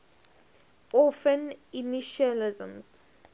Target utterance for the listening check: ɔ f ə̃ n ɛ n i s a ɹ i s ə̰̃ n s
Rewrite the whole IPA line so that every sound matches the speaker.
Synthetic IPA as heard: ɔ f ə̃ n i n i ʃ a l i z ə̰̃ m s